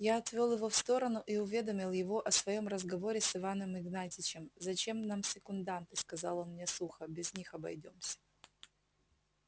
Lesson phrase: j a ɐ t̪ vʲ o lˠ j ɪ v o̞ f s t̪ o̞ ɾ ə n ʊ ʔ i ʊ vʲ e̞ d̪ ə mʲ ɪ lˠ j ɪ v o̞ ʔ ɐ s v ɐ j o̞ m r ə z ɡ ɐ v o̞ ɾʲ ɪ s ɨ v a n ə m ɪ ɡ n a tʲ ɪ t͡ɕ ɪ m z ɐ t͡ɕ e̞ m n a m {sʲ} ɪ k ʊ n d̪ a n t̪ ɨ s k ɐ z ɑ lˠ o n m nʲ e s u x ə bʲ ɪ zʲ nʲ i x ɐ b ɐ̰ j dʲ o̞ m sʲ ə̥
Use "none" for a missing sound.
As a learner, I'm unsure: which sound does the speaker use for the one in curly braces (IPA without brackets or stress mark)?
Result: sʲ